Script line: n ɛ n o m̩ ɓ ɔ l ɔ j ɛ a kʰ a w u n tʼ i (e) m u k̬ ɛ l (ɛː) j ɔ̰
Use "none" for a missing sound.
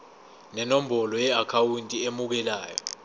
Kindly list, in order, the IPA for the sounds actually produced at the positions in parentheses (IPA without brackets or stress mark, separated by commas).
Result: e, aː